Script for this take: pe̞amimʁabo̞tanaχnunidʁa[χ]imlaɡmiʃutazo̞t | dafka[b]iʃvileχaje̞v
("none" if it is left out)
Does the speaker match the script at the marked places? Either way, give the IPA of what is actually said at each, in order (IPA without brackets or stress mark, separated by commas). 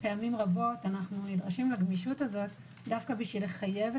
ʃ, b